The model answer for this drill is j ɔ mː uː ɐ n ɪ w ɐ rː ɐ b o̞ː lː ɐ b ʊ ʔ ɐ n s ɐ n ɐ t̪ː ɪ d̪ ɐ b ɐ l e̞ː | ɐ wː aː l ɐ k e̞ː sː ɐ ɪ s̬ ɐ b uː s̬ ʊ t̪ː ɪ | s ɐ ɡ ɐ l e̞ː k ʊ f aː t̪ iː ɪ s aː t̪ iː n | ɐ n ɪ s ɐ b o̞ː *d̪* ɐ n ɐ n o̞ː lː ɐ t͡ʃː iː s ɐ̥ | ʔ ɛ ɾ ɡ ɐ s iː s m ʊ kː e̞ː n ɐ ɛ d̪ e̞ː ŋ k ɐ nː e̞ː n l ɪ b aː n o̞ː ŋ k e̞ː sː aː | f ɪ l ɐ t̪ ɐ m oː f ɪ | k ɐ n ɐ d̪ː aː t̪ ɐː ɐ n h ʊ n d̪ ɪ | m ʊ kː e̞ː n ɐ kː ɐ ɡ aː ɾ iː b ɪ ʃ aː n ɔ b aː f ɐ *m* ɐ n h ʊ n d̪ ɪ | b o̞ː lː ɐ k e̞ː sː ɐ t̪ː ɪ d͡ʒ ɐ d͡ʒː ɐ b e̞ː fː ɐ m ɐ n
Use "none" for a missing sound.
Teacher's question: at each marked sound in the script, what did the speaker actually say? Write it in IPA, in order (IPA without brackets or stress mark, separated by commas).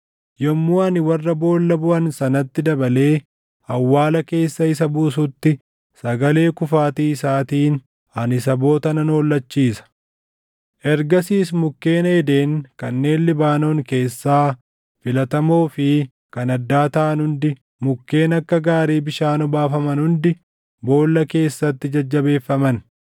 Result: t̪, m